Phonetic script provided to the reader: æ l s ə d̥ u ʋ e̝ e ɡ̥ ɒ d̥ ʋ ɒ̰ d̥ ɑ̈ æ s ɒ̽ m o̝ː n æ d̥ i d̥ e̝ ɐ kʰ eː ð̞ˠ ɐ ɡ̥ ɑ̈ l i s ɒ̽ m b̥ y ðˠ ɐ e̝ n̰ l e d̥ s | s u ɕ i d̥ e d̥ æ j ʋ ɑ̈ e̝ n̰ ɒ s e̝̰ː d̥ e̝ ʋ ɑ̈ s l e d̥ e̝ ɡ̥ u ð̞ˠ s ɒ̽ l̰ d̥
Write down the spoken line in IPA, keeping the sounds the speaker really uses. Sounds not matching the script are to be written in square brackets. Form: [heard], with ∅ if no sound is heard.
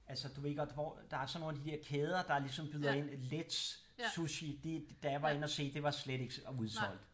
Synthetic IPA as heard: æ l s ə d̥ u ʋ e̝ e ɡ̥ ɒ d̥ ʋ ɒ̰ d̥ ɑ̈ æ s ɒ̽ [n] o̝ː n æ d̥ i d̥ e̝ ɐ kʰ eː ð̞ˠ ɐ [d̥] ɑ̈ l i s ɒ̽ m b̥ y ðˠ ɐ e̝ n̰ l e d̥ s | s u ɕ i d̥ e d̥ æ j ʋ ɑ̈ e̝ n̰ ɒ s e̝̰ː d̥ e̝ ʋ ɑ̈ s l e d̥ e̝ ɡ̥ u ð̞ˠ s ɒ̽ l̰ d̥

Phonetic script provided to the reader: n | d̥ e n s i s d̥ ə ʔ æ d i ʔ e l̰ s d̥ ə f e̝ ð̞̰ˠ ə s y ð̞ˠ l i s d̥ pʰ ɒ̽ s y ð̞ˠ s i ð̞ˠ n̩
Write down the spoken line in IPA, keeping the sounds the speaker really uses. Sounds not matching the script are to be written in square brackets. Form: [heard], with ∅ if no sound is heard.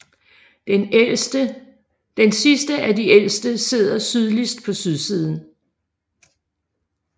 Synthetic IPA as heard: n | d̥ e n s i s d̥ ə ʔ æ d i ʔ e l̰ s d̥ ə [s] e̝ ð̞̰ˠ [ɐ] s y ð̞ˠ l i s d̥ pʰ ɒ̽ s y ð̞ˠ s i ð̞ˠ n̩

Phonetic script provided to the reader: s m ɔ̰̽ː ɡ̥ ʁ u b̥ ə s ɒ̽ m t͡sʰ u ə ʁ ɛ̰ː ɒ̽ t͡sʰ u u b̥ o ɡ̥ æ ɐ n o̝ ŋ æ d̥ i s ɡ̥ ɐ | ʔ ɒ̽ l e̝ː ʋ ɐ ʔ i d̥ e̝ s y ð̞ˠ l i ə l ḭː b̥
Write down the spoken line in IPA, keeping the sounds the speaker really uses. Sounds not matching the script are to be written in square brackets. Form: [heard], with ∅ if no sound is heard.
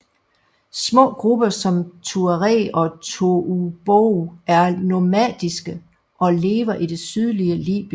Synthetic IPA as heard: s m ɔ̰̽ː ɡ̥ ʁ u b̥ [ɐ] s ɒ̽ m t͡sʰ u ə ʁ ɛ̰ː ɒ̽ t͡sʰ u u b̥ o [∅] æ ɐ n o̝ [m] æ d̥ i s ɡ̥ [ə] | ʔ ɒ̽ l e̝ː ʋ ɐ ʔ i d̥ e̝ s y ð̞ˠ l i ə l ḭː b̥

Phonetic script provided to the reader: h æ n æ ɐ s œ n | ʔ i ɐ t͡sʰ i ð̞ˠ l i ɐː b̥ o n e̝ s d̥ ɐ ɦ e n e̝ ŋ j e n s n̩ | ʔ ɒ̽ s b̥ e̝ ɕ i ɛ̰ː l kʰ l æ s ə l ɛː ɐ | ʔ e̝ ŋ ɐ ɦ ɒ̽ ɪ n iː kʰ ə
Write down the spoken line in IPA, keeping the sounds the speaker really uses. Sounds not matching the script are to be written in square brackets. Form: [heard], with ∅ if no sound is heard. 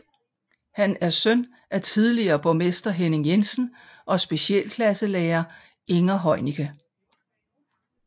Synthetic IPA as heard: h æ n æ ɐ s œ n | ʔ [æ] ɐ t͡sʰ i ð̞ˠ l i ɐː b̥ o [m] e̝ s d̥ ɐ ɦ e n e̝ ŋ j e n s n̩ | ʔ ɒ̽ s b̥ e̝ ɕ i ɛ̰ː l kʰ l æ s ə l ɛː ɐ | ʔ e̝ ŋ ɐ ɦ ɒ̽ ɪ n [i] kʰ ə

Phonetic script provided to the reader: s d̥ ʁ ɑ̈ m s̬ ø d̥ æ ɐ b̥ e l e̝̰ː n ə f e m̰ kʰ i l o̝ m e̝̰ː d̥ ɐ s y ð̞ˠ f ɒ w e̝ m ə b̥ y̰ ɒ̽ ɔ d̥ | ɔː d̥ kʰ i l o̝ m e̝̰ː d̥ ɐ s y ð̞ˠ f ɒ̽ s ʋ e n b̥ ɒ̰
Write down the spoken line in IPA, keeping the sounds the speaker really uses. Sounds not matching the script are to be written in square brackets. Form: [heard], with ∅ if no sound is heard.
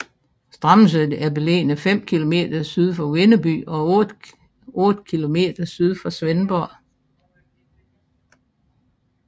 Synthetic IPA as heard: s d̥ ʁ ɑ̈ m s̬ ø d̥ æ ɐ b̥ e l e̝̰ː n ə f e m̰ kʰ i l o̝ m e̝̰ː d̥ ɐ s y ð̞ˠ f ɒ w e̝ [n] ə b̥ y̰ ɒ̽ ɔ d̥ | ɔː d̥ kʰ i l o̝ m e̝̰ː d̥ ɐ s y ð̞ˠ f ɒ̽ s ʋ e n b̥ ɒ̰

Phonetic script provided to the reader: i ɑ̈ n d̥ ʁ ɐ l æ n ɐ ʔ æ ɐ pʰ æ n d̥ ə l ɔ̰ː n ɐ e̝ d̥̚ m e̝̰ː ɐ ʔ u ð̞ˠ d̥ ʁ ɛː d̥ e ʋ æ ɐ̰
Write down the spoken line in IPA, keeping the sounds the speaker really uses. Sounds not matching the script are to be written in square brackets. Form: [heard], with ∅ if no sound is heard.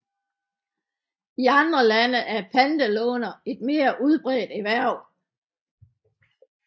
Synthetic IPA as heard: i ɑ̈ n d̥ ʁ ɐ l æ n [ə] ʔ æ ɐ pʰ æ n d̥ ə l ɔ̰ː n ɐ e̝ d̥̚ m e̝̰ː ɐ ʔ u ð̞ˠ [b̥] ʁ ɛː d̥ e ʋ æ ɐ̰

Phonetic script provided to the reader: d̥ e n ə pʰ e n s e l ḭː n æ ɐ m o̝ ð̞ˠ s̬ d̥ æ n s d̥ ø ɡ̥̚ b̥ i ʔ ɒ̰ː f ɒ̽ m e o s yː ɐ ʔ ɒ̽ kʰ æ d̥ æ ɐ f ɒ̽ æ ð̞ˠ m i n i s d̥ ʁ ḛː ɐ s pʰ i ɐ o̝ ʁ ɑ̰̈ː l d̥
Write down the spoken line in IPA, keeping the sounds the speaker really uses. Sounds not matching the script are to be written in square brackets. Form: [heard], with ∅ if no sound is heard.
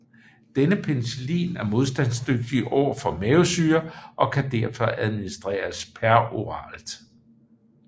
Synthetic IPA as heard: d̥ e n ə pʰ e n s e l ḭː n æ ɐ m o̝ ð̞ˠ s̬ d̥ æ n s d̥ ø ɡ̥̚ [d̥] i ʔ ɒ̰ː f ɒ̽ m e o s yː ɐ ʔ ɒ̽ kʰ æ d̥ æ ɐ f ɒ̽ æ ð̞ˠ m i n i s d̥ ʁ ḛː ɐ s pʰ [æ] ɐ o̝ ʁ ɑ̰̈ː l d̥

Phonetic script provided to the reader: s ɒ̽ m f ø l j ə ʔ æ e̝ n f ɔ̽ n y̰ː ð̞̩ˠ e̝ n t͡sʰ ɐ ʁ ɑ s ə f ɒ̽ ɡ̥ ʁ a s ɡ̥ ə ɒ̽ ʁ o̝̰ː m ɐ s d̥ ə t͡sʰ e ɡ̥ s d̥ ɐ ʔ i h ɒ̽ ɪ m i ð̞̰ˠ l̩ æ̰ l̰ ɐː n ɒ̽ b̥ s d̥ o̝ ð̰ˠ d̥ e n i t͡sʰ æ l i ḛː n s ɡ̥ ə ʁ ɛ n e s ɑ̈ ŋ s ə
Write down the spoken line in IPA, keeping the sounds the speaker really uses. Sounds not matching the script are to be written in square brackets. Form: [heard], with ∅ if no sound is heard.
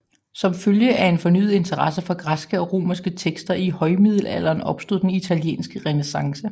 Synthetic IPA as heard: s ɒ̽ m f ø l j ə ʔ æ e̝ n f [ɒ̽] n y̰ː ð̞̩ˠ e̝ n t͡sʰ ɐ ʁ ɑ s ə f ɒ̽ ɡ̥ ʁ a s ɡ̥ ə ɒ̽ ʁ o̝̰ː m ɐ s [ɡ̥] ə t͡sʰ e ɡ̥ s d̥ ɐ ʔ i h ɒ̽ ɪ m i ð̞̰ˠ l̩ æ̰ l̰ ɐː n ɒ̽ b̥ s d̥ o̝ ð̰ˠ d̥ e n i t͡sʰ æ l [j] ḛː n s ɡ̥ ə ʁ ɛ n e s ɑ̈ ŋ s ə

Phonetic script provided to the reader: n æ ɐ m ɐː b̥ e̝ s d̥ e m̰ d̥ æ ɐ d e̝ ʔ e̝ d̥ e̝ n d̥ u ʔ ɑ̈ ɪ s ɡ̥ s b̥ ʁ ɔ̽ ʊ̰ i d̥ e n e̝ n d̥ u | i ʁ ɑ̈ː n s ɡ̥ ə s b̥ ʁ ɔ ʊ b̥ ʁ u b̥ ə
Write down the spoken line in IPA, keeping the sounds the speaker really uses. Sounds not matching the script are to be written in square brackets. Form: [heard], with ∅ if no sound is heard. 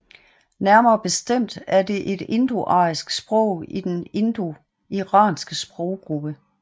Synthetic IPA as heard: n æ ɐ m ɐː b̥ e̝ s d̥ e m̰ d̥ æ ɐ d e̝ ʔ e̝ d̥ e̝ n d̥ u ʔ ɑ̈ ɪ s ɡ̥ s b̥ ʁ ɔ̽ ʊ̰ i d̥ e n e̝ n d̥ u | i ʁ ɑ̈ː n s ɡ̥ ə s b̥ ʁ ɔ ʊ [ɡ̥] ʁ u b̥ ə

